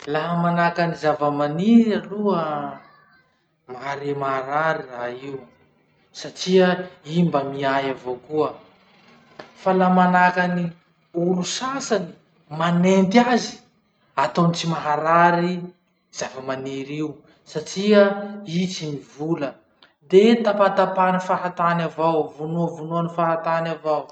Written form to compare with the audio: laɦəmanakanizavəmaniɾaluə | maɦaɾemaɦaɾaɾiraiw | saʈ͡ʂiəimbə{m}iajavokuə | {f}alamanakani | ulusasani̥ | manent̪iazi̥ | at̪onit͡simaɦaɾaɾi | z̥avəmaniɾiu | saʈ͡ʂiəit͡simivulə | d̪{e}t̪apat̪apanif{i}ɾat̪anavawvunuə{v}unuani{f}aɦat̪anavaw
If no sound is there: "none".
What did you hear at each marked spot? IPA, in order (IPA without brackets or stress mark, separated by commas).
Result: m, f, e, a, v, f